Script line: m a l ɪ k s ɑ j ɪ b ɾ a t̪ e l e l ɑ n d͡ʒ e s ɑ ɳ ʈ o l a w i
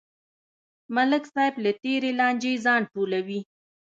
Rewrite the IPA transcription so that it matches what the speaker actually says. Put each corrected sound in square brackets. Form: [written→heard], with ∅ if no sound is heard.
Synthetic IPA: m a l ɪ k s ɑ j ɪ b [ɾ→l] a t̪ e [l→ɾ] e l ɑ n d͡ʒ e [s→z] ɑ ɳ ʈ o l a w i